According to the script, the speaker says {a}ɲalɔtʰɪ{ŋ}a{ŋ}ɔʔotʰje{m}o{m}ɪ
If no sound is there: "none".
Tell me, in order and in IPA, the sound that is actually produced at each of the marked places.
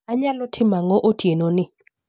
a, m, ŋ, n, n

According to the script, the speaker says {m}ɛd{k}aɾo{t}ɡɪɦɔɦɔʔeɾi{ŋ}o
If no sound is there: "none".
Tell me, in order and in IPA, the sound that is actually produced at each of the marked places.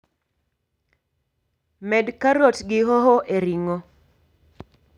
m, k, t, ŋ

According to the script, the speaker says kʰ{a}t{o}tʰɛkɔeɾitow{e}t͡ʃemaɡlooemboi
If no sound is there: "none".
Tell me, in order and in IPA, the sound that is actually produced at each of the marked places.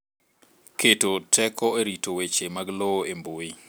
e, o, e

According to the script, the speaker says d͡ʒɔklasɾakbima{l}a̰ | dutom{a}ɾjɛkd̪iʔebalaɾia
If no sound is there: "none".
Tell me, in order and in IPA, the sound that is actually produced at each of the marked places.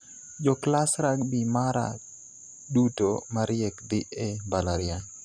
ɾ, a

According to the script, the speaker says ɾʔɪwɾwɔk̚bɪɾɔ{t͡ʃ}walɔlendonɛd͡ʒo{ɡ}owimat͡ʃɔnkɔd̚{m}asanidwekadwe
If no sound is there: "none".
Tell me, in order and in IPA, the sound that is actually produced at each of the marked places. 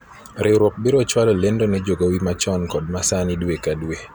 t͡ʃ, ɡ, m

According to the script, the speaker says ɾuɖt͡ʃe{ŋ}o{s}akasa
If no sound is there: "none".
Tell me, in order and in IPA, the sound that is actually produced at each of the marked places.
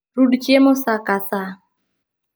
m, s

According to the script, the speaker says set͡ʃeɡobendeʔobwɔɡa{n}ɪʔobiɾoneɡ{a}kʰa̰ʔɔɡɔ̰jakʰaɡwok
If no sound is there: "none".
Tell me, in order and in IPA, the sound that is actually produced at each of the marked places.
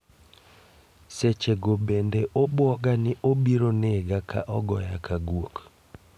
n, a

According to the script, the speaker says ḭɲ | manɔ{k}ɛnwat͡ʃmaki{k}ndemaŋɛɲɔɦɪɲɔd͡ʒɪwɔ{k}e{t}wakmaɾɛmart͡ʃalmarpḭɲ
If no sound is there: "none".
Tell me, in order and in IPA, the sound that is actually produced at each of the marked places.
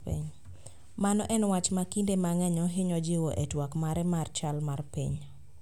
ʔ, none, ʔ, t

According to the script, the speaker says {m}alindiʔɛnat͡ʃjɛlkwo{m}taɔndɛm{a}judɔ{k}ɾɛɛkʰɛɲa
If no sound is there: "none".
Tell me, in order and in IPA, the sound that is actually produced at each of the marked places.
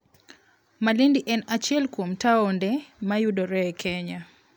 m, m, a, none

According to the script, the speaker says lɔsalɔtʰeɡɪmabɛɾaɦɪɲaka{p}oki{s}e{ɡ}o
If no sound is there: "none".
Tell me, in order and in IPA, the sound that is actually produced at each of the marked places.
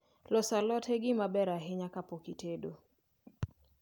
p, t, d

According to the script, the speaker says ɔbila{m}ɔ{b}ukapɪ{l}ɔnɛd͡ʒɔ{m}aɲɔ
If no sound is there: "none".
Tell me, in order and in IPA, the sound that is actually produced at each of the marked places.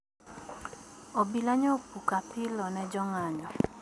ɲ, p, l, ŋ

